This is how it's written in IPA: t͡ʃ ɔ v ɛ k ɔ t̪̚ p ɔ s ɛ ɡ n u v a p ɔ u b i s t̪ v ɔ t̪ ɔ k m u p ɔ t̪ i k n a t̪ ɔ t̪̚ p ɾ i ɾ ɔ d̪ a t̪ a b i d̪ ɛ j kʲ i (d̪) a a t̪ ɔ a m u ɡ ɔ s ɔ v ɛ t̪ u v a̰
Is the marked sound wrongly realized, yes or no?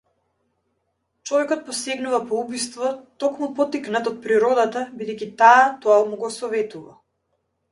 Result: yes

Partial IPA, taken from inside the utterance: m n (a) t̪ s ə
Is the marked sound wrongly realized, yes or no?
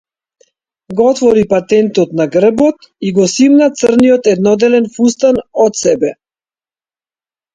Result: no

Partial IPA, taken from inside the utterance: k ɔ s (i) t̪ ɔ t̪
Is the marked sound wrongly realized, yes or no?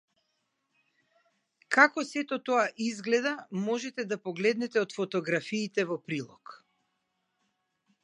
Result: yes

